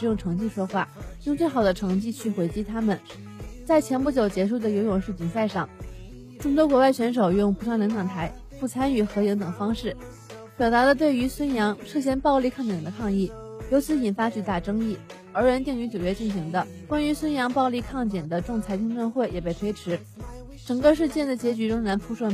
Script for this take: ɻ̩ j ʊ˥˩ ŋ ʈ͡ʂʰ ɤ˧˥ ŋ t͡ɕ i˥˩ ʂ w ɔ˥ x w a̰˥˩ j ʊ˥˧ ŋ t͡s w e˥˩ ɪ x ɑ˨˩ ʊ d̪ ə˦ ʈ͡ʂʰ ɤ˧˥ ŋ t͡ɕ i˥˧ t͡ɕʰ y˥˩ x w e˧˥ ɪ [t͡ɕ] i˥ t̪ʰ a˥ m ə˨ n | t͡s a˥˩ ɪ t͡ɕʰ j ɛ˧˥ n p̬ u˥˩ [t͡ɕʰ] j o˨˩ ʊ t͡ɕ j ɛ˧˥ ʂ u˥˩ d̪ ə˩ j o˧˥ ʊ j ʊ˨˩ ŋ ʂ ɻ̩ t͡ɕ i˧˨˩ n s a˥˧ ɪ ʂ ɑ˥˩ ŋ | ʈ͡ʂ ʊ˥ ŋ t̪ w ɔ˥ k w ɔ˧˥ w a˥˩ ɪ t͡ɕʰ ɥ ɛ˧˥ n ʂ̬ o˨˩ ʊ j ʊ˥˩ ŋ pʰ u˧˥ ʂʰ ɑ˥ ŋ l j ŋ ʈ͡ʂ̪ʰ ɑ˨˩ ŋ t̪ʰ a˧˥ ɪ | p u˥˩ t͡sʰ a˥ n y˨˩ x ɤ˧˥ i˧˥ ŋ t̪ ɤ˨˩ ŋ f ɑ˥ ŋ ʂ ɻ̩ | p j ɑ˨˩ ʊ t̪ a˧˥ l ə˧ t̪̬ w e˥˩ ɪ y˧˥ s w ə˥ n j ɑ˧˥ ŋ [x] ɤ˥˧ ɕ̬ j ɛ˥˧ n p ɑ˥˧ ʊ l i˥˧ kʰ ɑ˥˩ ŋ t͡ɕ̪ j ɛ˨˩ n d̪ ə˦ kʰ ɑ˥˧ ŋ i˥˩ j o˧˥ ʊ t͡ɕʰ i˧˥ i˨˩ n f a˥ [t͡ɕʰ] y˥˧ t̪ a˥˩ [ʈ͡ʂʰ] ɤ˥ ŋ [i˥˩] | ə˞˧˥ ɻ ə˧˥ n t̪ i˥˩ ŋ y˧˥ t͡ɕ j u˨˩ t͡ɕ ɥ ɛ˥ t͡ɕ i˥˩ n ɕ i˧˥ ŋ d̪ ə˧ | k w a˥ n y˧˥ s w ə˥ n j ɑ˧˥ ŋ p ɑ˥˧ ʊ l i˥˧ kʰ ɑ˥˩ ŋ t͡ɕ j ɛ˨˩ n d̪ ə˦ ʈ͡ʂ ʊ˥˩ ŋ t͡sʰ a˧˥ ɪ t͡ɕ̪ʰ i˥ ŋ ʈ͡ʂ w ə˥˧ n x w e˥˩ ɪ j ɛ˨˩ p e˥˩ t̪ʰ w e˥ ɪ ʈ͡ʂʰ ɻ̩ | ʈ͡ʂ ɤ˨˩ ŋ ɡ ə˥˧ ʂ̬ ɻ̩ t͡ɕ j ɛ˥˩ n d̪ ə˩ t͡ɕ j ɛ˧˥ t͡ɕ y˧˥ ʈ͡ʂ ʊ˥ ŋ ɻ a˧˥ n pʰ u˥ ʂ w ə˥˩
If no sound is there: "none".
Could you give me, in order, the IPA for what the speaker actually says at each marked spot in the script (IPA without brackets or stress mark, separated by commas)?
t͡ɕ, t͡ɕ, ʂ, t͡ɕ, ʈ͡ʂ, i˥˩